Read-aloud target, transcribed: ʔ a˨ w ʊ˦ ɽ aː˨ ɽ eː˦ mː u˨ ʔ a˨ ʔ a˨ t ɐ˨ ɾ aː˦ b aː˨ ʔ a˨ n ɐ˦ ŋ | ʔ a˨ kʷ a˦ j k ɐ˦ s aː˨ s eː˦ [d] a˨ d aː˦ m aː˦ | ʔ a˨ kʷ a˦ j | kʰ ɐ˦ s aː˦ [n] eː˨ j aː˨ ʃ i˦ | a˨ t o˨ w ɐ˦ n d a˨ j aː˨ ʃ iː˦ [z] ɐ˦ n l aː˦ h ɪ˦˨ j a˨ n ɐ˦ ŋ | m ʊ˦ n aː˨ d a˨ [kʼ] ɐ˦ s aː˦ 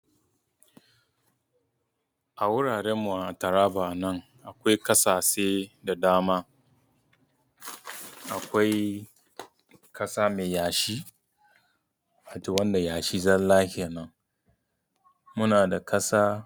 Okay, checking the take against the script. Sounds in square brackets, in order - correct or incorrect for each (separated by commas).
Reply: correct, incorrect, correct, incorrect